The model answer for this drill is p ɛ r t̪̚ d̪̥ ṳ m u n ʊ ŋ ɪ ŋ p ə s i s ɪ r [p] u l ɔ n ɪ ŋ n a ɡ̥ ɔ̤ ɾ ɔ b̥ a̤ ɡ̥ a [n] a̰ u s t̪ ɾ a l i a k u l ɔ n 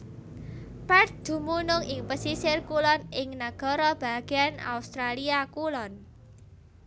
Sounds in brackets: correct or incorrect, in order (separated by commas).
incorrect, correct